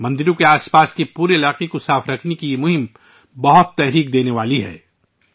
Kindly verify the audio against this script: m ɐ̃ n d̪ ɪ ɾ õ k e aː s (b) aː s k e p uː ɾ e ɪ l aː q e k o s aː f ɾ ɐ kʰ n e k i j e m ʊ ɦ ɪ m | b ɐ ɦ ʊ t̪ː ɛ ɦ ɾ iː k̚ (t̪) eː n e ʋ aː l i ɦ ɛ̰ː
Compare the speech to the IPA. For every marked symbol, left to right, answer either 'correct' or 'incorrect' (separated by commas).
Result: incorrect, incorrect